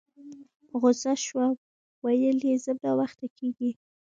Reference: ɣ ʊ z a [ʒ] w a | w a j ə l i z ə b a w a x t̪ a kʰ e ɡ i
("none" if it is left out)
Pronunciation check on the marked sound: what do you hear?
ʃ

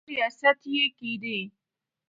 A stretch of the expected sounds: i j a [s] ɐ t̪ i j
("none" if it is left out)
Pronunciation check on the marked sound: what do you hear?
s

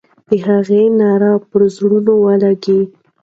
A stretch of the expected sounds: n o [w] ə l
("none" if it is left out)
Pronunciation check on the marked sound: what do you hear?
w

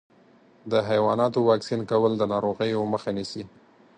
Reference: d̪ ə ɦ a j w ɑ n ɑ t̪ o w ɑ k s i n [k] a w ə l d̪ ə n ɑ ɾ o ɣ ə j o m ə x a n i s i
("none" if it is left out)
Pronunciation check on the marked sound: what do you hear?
k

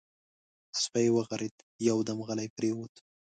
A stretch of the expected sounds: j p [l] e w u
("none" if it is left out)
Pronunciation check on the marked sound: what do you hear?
ɾ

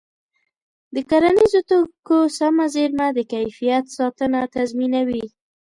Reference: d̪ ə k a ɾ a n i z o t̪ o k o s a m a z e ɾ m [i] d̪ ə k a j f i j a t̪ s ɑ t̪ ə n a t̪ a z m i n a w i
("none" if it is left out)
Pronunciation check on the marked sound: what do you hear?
a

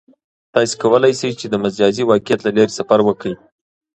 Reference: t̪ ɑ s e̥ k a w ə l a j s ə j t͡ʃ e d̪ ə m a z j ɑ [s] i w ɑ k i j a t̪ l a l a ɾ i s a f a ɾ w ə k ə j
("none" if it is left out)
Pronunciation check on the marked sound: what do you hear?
z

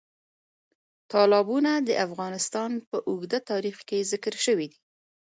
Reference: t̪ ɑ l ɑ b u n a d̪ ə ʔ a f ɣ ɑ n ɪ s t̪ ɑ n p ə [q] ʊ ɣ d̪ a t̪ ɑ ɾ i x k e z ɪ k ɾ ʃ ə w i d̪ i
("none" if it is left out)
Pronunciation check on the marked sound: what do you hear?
ʔ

